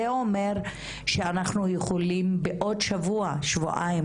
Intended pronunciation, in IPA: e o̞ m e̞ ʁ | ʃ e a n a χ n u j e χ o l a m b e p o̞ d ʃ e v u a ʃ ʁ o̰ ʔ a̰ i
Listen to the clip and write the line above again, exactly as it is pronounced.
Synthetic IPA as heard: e o̞ m e̞ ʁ | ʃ e a n a χ n u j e χ o l i m b e ʔ o̞ d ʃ a v u a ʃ v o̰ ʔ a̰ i